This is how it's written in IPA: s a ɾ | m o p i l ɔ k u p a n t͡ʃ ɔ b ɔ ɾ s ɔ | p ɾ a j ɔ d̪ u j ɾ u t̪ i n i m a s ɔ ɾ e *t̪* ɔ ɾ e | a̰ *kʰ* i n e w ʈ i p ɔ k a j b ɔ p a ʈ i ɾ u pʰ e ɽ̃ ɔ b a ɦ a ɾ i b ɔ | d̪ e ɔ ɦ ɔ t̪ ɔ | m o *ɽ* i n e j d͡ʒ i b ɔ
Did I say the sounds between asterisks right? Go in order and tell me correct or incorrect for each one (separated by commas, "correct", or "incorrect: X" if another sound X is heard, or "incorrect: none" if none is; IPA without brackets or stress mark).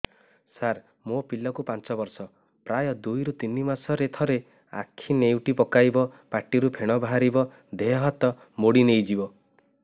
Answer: incorrect: t̪ʰ, correct, correct